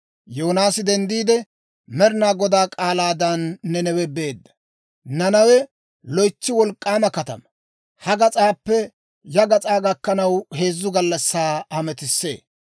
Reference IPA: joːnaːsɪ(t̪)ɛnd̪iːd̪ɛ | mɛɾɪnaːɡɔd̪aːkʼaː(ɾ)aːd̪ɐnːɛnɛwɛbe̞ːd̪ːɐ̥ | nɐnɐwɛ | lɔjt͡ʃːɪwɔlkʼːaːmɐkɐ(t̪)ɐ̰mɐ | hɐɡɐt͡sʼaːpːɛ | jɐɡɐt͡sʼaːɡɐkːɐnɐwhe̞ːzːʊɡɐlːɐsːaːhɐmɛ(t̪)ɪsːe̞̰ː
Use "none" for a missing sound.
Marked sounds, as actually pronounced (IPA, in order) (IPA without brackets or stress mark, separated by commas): d̪, l, t̪, t̪